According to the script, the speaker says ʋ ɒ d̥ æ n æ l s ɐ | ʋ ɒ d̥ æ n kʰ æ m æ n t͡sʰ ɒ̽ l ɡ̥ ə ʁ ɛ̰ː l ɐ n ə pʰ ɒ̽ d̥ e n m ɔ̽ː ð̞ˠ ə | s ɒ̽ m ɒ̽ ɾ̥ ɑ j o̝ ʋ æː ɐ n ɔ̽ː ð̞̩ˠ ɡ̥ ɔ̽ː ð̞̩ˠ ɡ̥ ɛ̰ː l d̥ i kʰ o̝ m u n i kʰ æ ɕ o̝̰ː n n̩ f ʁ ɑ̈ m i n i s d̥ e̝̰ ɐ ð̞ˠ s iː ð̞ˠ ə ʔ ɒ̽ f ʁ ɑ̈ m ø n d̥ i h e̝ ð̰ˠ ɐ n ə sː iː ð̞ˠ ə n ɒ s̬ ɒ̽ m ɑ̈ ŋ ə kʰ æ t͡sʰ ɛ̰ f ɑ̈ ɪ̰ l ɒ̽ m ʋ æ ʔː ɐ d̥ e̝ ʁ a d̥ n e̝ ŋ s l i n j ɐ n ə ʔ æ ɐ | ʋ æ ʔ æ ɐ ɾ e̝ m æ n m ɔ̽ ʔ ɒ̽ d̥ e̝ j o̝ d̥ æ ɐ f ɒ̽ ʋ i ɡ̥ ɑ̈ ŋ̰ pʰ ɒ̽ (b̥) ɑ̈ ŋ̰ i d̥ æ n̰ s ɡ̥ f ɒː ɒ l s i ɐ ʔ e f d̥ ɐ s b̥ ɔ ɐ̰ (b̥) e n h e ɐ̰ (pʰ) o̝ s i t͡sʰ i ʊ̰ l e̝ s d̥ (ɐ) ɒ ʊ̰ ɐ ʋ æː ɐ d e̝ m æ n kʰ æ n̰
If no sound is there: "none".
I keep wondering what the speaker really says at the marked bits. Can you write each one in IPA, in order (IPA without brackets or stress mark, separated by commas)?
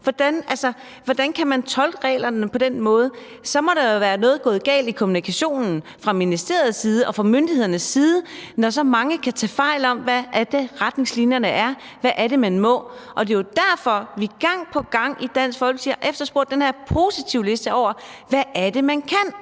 ɡ̥, d̥, pʰ, ə